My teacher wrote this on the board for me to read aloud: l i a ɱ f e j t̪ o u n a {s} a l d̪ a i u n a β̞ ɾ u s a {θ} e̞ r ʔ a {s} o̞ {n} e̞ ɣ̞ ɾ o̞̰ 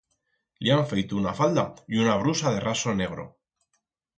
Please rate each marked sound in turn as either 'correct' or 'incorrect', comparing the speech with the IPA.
incorrect: f, incorrect: ð, correct, correct

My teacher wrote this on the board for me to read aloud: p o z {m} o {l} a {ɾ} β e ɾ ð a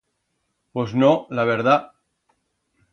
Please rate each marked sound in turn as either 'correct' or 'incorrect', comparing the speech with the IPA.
incorrect: n, correct, incorrect: none

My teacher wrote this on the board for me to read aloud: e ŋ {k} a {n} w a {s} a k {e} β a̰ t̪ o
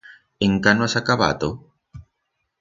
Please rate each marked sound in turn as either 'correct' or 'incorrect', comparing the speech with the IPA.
correct, correct, correct, incorrect: a

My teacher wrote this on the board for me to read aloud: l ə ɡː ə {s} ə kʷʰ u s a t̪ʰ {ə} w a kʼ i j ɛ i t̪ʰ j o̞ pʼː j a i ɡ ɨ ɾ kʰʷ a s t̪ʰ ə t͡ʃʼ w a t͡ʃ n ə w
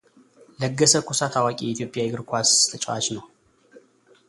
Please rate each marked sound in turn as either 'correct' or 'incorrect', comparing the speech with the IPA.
correct, incorrect: a

